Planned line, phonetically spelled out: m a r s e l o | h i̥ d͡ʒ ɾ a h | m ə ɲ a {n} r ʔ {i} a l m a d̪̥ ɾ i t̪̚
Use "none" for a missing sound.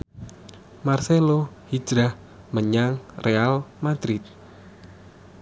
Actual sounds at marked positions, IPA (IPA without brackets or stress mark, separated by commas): ŋ, e